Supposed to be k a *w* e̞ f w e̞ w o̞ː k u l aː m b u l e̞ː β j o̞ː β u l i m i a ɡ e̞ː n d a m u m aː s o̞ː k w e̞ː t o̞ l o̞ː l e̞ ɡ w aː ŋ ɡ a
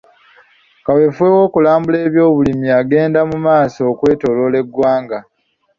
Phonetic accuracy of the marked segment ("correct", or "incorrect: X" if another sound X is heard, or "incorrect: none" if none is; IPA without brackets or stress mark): correct